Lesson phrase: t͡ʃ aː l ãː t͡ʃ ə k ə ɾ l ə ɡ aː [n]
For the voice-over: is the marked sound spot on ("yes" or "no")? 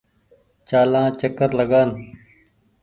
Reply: yes